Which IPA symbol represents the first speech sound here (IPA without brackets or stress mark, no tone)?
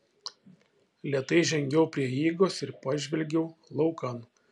lʲ